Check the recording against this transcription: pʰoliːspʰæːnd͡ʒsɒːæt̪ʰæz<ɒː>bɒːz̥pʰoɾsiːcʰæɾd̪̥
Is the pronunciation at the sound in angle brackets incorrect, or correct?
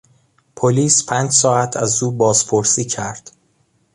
incorrect